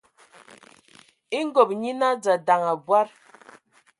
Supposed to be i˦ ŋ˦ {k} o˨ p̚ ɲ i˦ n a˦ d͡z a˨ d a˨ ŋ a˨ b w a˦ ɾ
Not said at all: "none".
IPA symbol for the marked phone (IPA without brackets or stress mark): ɡ